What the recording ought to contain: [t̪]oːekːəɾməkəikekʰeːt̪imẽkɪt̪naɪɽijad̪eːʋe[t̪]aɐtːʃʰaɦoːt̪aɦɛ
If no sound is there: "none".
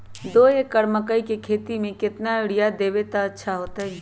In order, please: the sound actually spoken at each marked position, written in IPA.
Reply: d̪, t̪

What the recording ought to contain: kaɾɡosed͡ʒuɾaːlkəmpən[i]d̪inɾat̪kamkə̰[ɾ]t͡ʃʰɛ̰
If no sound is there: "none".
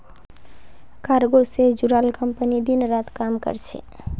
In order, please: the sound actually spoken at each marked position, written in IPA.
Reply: i, ɾ

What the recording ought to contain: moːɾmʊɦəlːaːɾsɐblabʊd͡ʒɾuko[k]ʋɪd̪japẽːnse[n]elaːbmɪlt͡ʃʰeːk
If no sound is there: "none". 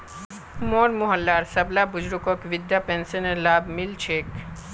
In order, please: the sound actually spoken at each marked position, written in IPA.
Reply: k, n

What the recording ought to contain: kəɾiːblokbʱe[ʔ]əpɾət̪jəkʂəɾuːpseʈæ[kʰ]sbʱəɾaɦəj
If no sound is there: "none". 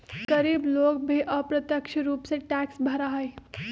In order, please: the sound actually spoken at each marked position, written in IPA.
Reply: ʔ, k

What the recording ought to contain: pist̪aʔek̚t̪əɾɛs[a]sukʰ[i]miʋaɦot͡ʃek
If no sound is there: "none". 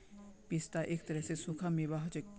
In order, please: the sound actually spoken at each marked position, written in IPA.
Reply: e, a

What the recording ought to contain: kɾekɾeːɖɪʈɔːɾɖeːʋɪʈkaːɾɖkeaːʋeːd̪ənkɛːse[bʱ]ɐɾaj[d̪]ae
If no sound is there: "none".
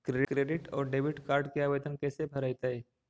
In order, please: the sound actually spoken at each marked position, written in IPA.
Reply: bʱ, t̪

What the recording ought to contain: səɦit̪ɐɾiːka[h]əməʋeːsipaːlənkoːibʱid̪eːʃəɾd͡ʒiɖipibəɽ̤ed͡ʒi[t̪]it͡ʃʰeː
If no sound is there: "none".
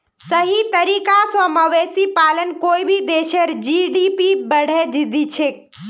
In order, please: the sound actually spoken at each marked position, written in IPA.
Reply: s, d̪

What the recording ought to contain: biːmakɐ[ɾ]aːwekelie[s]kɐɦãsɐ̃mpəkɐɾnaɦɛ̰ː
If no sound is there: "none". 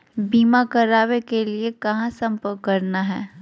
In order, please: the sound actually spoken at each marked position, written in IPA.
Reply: ɾ, none

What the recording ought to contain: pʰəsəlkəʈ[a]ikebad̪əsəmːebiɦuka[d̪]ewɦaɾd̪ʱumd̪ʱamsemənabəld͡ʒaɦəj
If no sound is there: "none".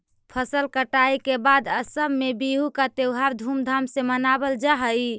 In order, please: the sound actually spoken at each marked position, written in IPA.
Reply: a, t̪

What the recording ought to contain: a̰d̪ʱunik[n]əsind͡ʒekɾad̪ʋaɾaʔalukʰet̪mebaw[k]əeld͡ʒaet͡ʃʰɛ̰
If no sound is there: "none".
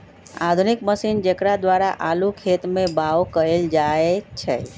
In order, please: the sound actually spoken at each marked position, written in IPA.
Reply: m, k

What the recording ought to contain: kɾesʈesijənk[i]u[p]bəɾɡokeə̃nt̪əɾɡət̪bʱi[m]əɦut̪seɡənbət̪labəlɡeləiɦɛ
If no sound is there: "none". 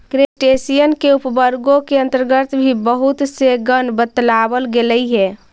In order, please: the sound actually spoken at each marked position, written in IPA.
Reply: e, p, b

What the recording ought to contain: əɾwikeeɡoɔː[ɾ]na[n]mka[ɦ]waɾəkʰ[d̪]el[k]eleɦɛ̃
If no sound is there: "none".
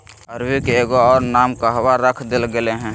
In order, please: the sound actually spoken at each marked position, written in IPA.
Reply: ɾ, none, ɦ, d̪, ɡ

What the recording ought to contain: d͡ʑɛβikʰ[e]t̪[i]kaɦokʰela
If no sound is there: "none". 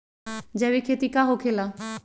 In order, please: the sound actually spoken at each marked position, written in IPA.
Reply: e, i

